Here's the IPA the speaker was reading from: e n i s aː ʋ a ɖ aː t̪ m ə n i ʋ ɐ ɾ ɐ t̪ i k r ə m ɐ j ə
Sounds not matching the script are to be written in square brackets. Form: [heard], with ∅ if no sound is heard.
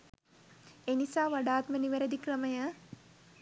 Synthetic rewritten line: e n i s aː ʋ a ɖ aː t̪ m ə n i ʋ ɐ ɾ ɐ [d̪] i k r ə m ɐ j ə